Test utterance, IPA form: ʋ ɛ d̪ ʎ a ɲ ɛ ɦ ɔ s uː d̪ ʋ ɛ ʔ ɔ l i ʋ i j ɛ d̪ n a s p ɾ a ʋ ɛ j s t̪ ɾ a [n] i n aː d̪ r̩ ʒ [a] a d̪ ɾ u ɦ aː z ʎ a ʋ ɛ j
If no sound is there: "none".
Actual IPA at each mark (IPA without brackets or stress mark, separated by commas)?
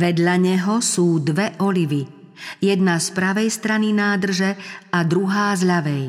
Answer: n, ɛ